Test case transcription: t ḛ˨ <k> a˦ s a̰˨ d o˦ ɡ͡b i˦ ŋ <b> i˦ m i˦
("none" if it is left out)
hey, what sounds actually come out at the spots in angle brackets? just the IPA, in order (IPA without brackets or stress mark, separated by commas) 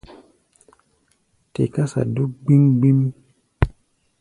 k, ɡ͡b